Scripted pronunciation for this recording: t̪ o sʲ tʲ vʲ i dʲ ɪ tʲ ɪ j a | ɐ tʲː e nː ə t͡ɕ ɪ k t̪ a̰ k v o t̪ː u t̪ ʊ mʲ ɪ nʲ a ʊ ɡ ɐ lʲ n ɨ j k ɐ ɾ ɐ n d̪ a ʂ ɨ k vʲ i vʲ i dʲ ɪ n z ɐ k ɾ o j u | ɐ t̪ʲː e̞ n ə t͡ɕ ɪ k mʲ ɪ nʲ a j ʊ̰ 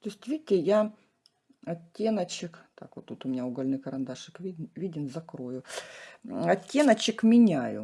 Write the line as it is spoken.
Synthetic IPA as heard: t̪ o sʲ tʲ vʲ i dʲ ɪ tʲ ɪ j a | ɐ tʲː e n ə t͡ɕ ɪ k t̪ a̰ k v o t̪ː u t̪ ʊ mʲ ɪ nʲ a ʊ ɡ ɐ lʲ n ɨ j k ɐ ɾ ɐ n d̪ a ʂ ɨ k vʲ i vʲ i dʲ ɪ n z ɐ k ɾ o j ʊ | ɐ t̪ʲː e̞ n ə t͡ɕ ɪ k mʲ ɪ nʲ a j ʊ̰